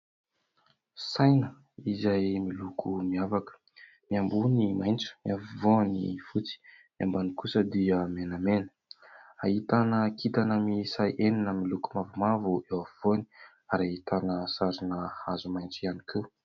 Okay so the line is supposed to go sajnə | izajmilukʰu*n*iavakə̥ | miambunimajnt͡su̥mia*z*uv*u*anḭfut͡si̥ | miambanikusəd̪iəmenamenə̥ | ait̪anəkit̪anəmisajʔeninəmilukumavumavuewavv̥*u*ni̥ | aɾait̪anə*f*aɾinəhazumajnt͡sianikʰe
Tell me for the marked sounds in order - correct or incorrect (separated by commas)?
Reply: incorrect, incorrect, incorrect, incorrect, incorrect